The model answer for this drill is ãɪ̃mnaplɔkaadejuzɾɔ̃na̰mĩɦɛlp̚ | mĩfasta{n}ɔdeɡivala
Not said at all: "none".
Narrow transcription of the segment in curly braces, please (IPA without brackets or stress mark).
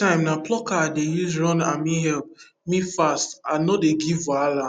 n